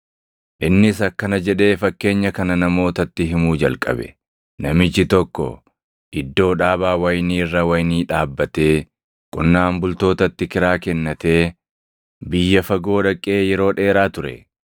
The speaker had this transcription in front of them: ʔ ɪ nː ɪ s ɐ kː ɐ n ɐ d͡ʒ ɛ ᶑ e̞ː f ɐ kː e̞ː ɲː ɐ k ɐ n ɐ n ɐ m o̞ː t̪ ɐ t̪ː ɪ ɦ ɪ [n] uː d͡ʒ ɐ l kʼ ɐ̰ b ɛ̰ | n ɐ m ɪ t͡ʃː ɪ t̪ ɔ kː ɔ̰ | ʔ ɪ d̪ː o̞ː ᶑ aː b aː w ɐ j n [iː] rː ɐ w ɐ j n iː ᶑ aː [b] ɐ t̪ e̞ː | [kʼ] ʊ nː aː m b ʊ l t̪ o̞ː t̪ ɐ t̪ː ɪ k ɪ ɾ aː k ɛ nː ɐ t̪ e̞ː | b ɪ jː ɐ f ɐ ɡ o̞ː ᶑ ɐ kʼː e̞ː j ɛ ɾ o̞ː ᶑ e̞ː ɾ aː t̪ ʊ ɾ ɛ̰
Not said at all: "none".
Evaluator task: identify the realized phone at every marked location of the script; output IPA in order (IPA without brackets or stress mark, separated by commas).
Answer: m, iː, bː, kʼ